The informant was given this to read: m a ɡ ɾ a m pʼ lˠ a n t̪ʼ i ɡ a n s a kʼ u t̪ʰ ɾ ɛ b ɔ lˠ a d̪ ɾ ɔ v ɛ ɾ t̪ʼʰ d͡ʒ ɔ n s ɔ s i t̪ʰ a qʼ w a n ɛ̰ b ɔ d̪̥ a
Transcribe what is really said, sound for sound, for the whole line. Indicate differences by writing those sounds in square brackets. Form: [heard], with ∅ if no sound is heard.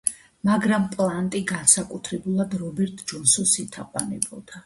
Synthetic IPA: m a ɡ ɾ a m pʼ lˠ a n t̪ʼ i ɡ a n s a kʼ u t̪ʰ ɾ ɛ b [u] lˠ a d̪ ɾ ɔ [b] ɛ ɾ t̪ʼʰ d͡ʒ ɔ n s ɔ s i t̪ʰ a qʼ w a n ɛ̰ b ɔ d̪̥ a